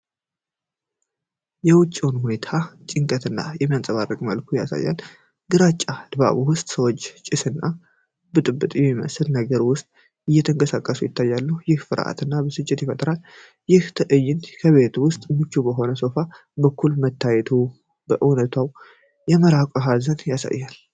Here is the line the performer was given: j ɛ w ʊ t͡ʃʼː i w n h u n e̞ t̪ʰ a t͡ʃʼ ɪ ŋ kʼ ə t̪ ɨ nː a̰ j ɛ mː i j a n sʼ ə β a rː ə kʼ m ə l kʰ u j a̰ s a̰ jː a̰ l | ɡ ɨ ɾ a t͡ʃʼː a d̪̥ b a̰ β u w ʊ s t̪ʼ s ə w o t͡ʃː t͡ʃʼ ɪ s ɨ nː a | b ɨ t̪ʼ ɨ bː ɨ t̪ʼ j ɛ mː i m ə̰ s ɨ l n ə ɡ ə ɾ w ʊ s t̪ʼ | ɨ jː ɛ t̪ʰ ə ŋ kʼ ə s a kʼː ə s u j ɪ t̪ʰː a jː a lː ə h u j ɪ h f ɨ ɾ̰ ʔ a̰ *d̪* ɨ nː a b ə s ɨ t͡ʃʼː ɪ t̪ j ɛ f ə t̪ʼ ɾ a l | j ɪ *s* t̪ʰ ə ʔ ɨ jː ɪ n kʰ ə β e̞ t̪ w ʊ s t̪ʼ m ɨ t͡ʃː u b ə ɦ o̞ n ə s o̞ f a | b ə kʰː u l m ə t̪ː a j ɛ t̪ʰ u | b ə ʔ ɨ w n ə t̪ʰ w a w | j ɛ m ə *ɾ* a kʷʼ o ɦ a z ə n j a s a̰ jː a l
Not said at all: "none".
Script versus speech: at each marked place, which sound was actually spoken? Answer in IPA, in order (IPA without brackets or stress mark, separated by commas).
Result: t̪, h, ɾ